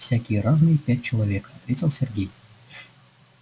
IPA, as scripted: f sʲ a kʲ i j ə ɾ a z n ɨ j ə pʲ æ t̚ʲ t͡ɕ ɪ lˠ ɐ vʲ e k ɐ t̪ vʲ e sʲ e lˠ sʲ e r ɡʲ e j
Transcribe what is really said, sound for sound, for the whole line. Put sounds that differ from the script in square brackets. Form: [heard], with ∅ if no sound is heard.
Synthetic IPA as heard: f sʲ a kʲ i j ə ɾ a z n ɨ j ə pʲ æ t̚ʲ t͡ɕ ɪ lˠ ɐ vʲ e k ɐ t̪ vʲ e [tʲ] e lˠ sʲ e r ɡʲ e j